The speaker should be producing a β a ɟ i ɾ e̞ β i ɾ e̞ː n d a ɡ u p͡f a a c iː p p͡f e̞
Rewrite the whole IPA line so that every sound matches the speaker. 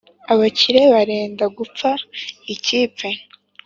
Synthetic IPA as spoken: a β a c i ɾ e̞ β a ɾ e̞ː n d a ɡ u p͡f a i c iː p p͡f e̞